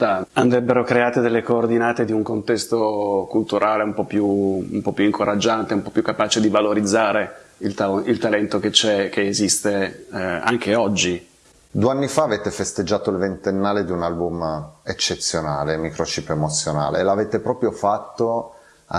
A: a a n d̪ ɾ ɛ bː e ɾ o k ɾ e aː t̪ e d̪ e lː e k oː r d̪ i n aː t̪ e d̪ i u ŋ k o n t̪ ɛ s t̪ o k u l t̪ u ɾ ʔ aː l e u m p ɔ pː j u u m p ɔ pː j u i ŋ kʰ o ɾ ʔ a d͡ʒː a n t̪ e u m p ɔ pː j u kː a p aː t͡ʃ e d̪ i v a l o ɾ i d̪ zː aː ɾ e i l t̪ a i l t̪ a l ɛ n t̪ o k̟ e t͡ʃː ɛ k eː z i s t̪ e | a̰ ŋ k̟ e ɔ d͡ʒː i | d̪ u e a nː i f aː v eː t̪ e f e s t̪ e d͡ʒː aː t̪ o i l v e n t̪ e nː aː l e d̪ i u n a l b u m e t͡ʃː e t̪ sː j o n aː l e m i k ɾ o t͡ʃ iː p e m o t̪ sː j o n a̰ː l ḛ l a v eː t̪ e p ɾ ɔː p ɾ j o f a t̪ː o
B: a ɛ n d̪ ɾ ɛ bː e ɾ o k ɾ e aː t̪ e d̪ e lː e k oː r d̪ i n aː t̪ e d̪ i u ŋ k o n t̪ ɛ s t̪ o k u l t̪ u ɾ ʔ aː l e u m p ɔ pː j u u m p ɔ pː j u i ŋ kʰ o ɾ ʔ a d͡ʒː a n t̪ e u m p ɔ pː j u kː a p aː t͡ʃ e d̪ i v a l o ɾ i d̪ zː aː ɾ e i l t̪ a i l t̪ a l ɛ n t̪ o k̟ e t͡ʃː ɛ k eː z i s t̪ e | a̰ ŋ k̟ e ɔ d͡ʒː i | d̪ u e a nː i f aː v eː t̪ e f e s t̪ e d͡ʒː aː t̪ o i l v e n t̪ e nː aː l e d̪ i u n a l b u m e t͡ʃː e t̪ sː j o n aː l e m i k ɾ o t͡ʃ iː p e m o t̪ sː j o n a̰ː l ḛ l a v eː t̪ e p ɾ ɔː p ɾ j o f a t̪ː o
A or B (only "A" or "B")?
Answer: A